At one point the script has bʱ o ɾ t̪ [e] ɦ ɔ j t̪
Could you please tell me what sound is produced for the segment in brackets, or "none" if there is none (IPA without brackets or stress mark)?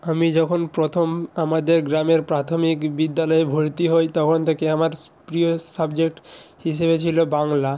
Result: i